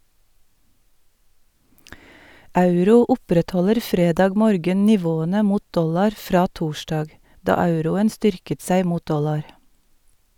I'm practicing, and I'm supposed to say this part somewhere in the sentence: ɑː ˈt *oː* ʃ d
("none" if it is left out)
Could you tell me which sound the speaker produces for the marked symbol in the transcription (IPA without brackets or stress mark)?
uː